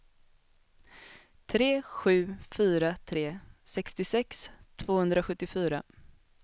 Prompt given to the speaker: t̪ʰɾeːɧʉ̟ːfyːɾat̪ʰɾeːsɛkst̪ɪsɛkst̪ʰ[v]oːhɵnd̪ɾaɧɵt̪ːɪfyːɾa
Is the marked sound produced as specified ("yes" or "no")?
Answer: yes